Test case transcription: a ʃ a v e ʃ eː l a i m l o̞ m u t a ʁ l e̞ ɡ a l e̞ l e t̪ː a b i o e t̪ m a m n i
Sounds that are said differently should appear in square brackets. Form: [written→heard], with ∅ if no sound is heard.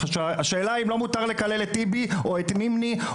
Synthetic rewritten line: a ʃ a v [e→a] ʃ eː l a i m l o̞ m u t a ʁ l e̞ [ɡ→k] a l e̞ l e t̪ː [a→i] b i o e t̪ m [a→i] m n i